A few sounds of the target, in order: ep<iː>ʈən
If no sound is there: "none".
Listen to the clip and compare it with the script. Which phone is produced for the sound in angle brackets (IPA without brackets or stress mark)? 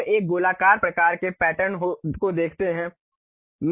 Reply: ɛː